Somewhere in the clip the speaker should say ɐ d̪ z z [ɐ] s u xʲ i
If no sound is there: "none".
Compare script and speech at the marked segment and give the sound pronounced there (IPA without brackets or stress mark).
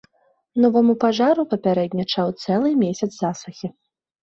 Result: a